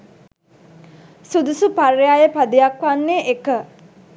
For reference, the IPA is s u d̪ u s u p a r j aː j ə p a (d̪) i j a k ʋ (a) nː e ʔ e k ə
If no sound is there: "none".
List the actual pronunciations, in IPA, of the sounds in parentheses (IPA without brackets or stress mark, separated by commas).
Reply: d̪, a